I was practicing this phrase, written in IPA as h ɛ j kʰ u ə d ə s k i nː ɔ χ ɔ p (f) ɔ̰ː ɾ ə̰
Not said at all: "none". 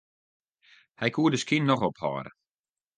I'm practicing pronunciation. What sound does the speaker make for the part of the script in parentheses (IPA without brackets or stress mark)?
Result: h